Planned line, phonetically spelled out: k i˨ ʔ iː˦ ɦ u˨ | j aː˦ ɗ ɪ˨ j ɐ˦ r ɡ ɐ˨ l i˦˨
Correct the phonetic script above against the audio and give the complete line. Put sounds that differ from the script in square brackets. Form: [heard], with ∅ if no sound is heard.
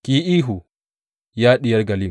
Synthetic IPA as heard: k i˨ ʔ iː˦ ɦ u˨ | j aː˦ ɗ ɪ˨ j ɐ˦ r ɡ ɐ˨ l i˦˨